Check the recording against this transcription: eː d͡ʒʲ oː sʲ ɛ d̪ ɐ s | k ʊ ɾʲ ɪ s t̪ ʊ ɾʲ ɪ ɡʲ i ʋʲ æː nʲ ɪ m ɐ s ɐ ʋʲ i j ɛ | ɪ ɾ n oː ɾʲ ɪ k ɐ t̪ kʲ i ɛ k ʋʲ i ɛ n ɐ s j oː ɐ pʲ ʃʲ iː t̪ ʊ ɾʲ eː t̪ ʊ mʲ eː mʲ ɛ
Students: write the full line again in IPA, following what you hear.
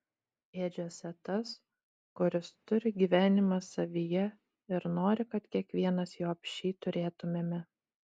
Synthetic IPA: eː d͡ʒʲ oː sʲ ɛ t̪ ɐ s | k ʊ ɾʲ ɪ s t̪ ʊ ɾʲ ɪ ɡʲ i ʋʲ æː nʲ ɪ m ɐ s ɐ ʋʲ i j ɛ | ɪ ɾ n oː ɾʲ ɪ k ɐ t̪ kʲ i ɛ k ʋʲ i ɛ n ɐ s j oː ɐ pʲ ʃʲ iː t̪ ʊ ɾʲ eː t̪ ʊ mʲ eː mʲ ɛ

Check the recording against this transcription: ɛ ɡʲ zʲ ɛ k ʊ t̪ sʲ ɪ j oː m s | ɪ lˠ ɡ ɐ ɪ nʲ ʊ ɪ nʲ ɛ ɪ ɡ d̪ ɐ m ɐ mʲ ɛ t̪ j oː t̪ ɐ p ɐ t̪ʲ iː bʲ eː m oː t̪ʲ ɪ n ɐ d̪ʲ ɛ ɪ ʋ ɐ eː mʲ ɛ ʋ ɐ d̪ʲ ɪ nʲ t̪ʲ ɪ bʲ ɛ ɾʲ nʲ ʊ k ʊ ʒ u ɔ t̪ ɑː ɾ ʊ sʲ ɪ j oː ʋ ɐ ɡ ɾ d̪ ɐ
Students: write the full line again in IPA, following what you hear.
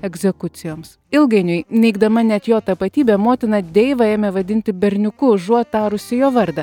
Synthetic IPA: ɛ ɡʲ zʲ ɛ k ʊ t̪ sʲ ɪ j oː m s | ɪ lˠ ɡ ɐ ɪ nʲ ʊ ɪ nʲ ɛ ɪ ɡ d̪ ɐ m ɐ nʲ ɛ t̪ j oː t̪ ɐ p ɐ t̪ʲ iː bʲ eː m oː t̪ʲ ɪ n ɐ d̪ʲ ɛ ɪ ʋ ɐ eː mʲ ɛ ʋ ɐ d̪ʲ ɪ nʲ t̪ʲ ɪ bʲ ɛ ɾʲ nʲ ʊ k ʊ ʒ u ɔ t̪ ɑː ɾ ʊ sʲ ɪ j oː ʋ ɐ ɾ d̪ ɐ

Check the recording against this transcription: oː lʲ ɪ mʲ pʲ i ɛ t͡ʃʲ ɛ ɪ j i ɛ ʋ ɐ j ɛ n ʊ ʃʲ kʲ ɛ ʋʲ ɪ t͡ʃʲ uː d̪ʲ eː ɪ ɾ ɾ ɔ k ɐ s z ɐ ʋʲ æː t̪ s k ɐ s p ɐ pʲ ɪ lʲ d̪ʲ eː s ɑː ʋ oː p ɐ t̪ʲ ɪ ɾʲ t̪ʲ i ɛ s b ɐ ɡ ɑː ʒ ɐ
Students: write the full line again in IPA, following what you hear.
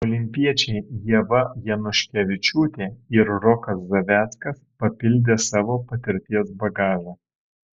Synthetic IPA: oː lʲ ɪ mʲ pʲ i ɛ t͡ʃʲ ɛ ɪ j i ɛ ʋ ɐ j ɛ n ʊ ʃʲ kʲ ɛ ʋʲ ɪ t͡ʃʲ uː t̪ʲ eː ɪ ɾ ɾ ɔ k ɐ s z ɐ ʋʲ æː t̪ s k ɐ s p ɐ pʲ ɪ lʲ d̪ʲ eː s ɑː ʋ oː p ɐ t̪ʲ ɪ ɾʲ t̪ʲ i ɛ s b ɐ ɡ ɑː ʒ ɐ

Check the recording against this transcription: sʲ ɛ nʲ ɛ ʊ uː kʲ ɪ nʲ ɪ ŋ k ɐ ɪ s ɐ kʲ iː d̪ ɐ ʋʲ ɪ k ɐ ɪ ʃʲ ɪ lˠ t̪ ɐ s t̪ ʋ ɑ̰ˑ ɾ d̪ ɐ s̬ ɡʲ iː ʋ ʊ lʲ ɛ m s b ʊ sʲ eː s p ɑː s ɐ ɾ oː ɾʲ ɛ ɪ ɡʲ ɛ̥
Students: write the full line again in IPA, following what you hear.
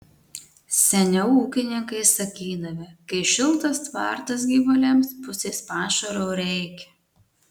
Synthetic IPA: sʲ ɛ nʲ ɛ ʊ uː kʲ ɪ nʲ ɪ ŋ k ɐ ɪ s ɐ kʲ iː d̪ ɐ ʋʲ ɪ k ɐ ɪ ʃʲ ɪ lˠ t̪ ɐ s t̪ ʋ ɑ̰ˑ ɾ t̪ ɐ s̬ ɡʲ iː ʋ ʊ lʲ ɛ m s p ʊ sʲ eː s p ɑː ʃ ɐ ɾ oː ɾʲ ɛ ɪ kʲ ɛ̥

